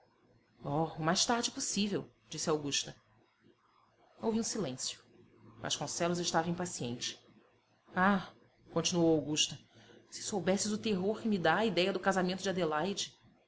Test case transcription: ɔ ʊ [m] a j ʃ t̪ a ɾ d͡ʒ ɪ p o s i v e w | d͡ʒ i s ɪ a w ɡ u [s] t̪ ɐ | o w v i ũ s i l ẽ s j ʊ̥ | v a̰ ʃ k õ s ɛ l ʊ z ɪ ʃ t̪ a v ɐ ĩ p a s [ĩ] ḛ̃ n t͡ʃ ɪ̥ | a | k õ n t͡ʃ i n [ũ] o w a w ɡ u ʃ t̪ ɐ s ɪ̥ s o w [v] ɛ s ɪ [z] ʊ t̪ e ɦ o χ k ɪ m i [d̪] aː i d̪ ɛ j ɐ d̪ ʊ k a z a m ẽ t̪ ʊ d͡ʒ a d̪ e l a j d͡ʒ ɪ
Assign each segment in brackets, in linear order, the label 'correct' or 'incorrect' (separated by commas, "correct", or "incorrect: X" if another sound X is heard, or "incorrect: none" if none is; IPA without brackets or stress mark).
correct, incorrect: ʃ, incorrect: i, incorrect: u, incorrect: b, correct, correct